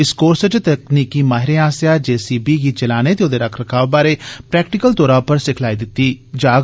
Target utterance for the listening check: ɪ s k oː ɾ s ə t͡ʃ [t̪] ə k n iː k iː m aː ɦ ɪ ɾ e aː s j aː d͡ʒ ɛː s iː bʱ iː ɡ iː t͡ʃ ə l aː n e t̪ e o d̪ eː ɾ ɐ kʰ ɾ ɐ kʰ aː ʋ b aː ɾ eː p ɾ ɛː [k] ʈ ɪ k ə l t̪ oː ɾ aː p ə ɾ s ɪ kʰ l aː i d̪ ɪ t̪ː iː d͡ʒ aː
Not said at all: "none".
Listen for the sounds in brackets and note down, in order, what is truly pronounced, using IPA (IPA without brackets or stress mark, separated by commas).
t̪, k